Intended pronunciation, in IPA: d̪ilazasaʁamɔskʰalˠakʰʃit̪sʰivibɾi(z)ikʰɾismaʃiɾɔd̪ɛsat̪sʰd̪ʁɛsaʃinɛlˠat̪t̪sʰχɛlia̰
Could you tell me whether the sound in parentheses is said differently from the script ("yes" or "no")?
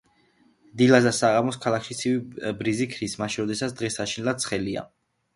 no